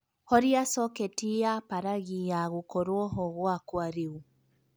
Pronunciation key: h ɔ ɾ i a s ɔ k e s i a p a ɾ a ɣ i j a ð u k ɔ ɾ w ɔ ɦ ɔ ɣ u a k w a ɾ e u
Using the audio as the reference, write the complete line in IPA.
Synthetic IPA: h ɔ ɾ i a s ɔ k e t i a p a ɾ a ɣ i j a ɣ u k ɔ ɾ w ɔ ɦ ɔ ɣ w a k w a ɾ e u